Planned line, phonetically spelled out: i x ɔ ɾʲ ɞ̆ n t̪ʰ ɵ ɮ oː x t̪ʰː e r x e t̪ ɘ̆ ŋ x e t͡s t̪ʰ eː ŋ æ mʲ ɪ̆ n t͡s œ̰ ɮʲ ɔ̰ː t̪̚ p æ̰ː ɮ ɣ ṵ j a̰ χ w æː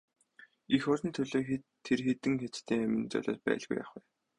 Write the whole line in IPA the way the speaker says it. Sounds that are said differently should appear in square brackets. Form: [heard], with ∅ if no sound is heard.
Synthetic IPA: i x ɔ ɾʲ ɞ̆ n t̪ʰ ɵ ɮ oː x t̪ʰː e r x e t̪ ɘ̆ ŋ x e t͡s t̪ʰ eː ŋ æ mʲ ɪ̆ n t͡s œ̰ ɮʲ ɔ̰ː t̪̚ p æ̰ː ɮ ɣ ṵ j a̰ χ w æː